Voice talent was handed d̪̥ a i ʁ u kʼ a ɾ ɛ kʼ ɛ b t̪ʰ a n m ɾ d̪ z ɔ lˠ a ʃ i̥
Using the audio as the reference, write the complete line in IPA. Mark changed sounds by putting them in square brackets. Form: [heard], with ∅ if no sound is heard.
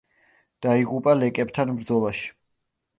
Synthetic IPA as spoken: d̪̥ a i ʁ u [pʼ] a [l] ɛ kʼ ɛ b t̪ʰ a n m ɾ d̪ z ɔ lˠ a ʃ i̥